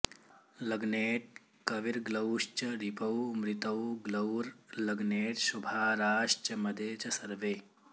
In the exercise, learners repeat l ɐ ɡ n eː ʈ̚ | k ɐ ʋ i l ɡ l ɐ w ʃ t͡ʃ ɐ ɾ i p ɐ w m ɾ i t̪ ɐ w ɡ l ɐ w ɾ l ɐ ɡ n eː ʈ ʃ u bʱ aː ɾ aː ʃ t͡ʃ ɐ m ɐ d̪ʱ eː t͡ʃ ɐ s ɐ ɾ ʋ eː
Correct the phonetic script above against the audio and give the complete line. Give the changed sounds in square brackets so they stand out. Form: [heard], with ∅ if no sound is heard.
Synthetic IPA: l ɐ ɡ n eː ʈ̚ | k ɐ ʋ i [ɾ] ɡ l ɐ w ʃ t͡ʃ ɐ ɾ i p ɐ w m ɾ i t̪ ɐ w ɡ l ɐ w ɾ l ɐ ɡ n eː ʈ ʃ u bʱ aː ɾ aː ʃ t͡ʃ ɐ m ɐ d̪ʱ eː t͡ʃ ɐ s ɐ ɾ ʋ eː

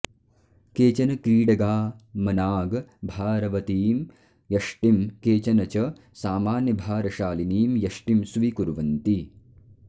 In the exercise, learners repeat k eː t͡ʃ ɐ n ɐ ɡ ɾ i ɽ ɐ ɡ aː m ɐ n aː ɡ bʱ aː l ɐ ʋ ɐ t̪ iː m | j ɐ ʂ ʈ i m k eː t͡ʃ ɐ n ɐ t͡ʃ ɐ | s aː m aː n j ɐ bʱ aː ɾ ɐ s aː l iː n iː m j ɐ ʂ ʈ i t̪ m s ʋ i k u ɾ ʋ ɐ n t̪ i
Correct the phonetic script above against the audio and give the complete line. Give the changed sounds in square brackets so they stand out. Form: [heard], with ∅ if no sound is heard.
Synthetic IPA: k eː t͡ʃ ɐ n ɐ [k] ɾ [iː] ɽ ɐ ɡ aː m ɐ n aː ɡ bʱ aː [ɾ] ɐ ʋ ɐ t̪ iː m | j ɐ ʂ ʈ i m k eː t͡ʃ ɐ n ɐ t͡ʃ ɐ | s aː m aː n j ɐ bʱ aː ɾ ɐ [ʃ] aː l [i] n iː m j ɐ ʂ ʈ i [∅] m s ʋ i k u ɾ ʋ ɐ n t̪ i

